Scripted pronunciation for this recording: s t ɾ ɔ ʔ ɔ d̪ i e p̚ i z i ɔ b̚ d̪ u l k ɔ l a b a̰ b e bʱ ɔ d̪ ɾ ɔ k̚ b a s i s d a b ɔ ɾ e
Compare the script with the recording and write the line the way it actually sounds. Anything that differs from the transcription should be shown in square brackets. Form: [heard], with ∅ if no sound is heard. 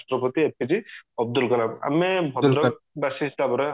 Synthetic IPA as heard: s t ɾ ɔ [p] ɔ [t̪] i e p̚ i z i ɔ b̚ d̪ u l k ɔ l a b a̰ [m] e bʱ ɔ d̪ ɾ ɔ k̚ b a s i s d a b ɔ ɾ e

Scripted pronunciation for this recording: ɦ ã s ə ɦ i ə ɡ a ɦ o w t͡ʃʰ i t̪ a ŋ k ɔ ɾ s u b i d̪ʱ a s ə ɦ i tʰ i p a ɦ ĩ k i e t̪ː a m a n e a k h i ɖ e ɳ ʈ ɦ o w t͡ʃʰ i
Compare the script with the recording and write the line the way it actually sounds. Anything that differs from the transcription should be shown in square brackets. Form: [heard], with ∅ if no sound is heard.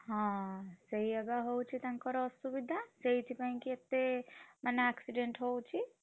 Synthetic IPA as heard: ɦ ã s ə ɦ i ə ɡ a ɦ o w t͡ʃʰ i t̪ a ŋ k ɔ ɾ s u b i d̪ʱ a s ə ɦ i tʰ i p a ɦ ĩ k i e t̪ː [e] m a n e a k [s] i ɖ e ɳ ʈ ɦ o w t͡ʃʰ i

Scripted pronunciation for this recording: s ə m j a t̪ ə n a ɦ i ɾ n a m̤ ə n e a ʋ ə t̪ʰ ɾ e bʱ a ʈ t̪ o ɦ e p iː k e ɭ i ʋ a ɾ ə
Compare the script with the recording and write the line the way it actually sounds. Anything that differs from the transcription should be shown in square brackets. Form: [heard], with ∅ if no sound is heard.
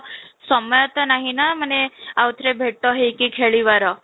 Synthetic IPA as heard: s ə m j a t̪ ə n a ɦ i [∅] n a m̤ ə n e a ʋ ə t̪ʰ ɾ e bʱ [e] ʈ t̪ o ɦ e [k] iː [kʰ] e ɭ i ʋ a ɾ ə

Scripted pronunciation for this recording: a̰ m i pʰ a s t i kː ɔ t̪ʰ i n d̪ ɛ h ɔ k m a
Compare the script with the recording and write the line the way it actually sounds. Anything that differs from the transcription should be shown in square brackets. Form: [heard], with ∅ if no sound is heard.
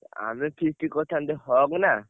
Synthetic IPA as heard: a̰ m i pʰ [i] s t i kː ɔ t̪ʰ [a] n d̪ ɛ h ɔ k [n] a

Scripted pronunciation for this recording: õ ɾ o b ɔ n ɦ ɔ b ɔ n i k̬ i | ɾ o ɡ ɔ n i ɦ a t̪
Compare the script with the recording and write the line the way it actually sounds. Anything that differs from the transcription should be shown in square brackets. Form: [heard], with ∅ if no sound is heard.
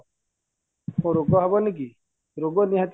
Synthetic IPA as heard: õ ɾ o [ɡ] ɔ [∅] ɦ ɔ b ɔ n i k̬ i | ɾ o ɡ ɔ n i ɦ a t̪

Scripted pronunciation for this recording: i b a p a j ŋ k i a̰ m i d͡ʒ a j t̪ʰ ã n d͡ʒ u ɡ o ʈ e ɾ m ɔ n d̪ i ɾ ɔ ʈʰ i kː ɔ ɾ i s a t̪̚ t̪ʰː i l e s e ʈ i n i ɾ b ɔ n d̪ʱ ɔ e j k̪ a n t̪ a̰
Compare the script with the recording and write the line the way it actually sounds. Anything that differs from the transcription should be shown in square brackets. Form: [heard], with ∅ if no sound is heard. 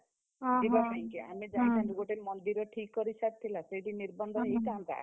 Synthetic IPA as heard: i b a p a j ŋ k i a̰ m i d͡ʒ a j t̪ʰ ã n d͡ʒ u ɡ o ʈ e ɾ m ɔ n d̪ i ɾ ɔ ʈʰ i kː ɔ ɾ i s a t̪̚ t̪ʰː i l [a] s e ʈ i n i ɾ b ɔ n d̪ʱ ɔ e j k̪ a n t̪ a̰

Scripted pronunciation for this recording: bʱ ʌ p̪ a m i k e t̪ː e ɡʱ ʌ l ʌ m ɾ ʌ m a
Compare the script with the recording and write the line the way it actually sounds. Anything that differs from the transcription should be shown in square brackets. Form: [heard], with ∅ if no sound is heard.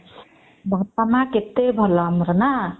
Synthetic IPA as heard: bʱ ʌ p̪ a m [a] k e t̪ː e [bʱ] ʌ l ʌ m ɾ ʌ [n] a

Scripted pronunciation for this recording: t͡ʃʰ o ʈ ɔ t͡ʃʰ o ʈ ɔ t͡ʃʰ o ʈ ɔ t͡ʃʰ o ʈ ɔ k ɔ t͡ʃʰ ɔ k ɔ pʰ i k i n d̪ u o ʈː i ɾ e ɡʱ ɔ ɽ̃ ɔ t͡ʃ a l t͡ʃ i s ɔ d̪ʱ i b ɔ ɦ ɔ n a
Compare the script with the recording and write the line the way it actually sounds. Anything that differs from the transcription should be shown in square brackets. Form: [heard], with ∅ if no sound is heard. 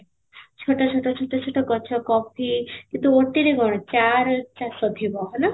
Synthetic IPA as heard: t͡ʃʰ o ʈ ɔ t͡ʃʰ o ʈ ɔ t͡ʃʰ o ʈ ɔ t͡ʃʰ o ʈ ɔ k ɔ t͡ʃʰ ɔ k ɔ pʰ i k i n [t̪] u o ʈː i ɾ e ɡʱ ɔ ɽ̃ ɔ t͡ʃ a [ɾ] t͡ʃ [a] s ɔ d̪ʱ i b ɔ ɦ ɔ n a

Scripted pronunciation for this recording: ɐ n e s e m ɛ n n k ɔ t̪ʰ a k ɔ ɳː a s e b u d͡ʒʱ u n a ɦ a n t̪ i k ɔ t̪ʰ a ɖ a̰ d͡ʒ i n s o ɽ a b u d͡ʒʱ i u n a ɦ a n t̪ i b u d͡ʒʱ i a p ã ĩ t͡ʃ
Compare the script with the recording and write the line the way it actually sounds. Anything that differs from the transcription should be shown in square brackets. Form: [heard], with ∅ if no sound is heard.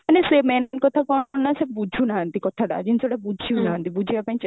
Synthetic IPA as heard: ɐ n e s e m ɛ n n k ɔ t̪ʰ a k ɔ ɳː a s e b u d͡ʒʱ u n a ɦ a n t̪ i k ɔ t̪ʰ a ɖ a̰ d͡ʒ i n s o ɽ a b u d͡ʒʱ i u n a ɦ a n t̪ i b u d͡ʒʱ i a p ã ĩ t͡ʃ

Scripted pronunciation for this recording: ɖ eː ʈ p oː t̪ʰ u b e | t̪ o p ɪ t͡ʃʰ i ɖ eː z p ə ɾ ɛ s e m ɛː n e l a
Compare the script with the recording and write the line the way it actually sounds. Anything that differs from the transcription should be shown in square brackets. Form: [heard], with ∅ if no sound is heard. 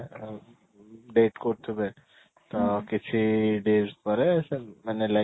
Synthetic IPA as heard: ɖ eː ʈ [k] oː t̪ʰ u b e | t̪ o [k] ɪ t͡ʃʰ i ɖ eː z p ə ɾ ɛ s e m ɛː n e l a

